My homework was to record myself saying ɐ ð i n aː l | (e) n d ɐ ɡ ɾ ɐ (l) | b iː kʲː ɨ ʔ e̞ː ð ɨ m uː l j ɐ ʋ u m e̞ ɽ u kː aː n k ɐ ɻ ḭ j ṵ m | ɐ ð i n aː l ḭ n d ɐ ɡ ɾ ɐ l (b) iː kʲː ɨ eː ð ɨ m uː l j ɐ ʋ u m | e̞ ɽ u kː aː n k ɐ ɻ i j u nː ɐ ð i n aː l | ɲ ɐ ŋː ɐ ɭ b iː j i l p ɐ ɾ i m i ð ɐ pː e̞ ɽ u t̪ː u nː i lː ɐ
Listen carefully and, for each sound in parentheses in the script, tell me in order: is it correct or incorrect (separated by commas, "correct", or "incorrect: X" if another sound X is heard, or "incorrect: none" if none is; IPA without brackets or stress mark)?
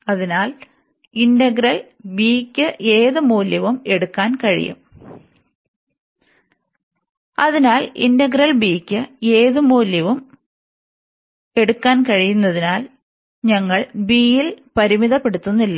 incorrect: i, correct, correct